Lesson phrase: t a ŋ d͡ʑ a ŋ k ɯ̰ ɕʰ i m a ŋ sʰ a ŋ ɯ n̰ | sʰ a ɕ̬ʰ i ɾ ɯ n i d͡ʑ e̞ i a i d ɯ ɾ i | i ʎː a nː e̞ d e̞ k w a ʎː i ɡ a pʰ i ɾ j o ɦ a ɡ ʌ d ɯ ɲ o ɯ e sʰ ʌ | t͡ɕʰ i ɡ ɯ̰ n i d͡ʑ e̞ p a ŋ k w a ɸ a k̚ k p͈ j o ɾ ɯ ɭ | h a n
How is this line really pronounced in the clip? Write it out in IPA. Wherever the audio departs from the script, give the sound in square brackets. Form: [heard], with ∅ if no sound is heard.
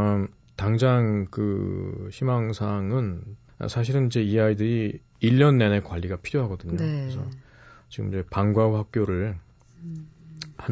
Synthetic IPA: t a ŋ d͡ʑ a ŋ k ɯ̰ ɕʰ i m a ŋ sʰ a ŋ ɯ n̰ | sʰ a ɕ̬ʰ i ɾ ɯ n i d͡ʑ e̞ i a i d ɯ ɾ i | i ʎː [ʌ] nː e̞ [n] e̞ k w a ʎː i ɡ a pʰ i ɾ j o ɦ a ɡ ʌ d ɯ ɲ o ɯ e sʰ ʌ | [t͡ɕ] i ɡ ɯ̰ [m] i d͡ʑ e̞ p a ŋ [ɡ] w a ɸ a k̚ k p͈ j o ɾ ɯ ɭ | h a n